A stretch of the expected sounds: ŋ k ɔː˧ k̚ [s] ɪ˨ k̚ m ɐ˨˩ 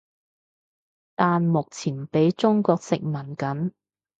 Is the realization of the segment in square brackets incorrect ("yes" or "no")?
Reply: no